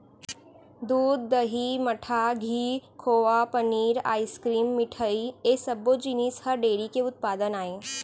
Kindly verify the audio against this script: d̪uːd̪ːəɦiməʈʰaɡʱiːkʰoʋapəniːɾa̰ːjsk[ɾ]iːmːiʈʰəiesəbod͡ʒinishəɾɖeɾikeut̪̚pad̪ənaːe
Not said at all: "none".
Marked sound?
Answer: ɾ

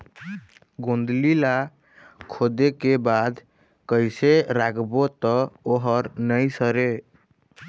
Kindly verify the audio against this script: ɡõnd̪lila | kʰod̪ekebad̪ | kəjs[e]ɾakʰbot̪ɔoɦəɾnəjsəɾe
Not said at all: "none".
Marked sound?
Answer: e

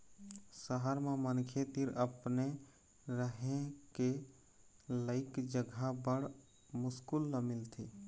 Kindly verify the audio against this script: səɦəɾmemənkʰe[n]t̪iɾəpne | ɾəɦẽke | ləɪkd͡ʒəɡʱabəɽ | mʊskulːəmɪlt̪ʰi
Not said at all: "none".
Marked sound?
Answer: none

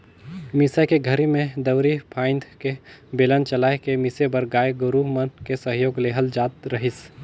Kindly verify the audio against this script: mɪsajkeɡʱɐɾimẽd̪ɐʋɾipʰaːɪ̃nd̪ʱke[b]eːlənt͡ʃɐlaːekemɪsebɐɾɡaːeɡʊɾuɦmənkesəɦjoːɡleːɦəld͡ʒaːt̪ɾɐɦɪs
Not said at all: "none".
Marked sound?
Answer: b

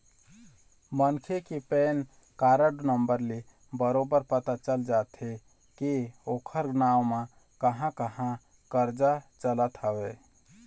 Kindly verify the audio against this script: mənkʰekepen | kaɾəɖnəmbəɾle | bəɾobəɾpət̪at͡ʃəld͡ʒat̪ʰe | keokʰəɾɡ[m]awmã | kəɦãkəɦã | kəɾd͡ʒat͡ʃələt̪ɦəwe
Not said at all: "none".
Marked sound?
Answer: n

